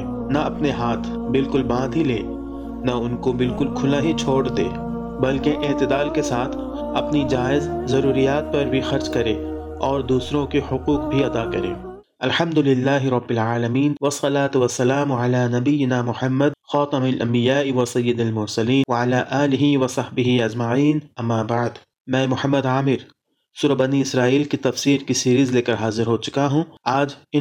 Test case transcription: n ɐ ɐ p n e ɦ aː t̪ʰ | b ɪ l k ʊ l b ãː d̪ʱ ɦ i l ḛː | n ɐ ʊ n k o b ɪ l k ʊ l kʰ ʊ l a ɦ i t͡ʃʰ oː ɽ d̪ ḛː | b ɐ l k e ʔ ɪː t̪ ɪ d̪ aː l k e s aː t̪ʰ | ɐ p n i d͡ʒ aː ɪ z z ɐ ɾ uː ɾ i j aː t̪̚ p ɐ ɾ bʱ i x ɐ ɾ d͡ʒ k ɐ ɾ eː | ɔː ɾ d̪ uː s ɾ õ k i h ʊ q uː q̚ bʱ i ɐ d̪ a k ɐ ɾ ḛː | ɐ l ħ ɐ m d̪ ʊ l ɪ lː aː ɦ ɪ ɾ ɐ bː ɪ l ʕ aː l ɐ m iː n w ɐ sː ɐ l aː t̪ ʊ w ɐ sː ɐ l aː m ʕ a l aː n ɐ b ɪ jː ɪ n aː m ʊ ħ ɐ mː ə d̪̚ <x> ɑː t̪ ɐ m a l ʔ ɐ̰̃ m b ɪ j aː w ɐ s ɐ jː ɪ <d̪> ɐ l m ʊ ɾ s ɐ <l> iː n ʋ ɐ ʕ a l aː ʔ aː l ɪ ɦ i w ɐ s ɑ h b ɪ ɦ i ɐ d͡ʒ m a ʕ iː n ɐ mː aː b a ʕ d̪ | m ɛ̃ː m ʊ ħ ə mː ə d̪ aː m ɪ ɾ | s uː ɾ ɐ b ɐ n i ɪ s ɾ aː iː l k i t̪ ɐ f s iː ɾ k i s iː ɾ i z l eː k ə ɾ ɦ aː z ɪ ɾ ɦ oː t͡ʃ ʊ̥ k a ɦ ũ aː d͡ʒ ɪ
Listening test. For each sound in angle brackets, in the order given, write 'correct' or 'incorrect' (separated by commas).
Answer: correct, correct, correct